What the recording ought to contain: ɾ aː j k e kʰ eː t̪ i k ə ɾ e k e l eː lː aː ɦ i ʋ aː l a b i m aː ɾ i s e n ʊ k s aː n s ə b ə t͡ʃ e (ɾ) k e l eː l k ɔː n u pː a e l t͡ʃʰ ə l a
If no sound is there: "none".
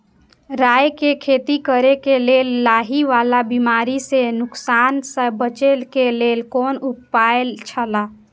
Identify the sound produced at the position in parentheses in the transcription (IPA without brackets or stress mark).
l